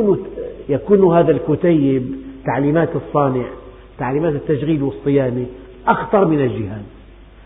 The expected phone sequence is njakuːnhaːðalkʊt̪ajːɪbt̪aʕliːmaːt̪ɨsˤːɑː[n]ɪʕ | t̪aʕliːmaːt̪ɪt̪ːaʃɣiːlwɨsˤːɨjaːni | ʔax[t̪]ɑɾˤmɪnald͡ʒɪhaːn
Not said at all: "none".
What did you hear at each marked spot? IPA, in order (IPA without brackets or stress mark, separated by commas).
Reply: n, t̪